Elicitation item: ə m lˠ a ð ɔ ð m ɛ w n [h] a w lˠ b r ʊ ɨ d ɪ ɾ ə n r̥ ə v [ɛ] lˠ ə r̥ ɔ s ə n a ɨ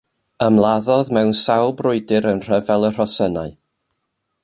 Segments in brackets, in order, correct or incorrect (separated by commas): incorrect, correct